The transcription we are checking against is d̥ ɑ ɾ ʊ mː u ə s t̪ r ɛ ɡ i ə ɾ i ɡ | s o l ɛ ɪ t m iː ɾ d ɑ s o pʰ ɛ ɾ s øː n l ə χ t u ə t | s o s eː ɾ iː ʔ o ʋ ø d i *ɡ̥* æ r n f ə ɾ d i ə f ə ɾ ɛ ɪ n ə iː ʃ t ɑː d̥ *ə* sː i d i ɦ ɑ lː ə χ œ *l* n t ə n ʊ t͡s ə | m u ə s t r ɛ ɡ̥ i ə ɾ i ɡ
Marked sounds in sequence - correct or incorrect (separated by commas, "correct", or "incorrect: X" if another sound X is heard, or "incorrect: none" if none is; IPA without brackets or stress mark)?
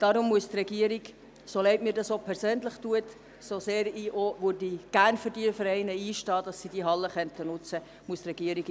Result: correct, incorrect: ɑ, incorrect: none